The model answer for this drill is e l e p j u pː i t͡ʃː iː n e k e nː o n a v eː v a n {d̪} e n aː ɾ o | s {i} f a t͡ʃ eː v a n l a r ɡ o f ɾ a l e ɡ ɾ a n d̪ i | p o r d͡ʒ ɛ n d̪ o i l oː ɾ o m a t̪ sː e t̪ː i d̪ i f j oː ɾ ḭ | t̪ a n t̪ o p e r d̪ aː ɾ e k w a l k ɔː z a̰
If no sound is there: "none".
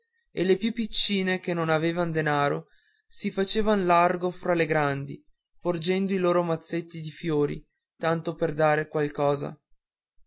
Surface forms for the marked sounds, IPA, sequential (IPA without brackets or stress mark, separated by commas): d̪, i